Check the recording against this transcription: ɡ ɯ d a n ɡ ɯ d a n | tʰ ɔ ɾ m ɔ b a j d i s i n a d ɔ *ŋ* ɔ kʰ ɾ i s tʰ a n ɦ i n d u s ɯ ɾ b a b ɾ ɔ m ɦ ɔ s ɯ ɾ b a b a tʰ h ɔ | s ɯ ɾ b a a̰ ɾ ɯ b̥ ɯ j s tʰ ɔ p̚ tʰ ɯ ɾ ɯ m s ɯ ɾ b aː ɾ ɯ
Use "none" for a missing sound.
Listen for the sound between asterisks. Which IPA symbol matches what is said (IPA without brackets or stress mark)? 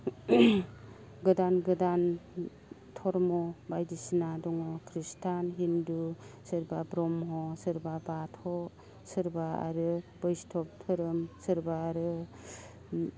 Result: ŋ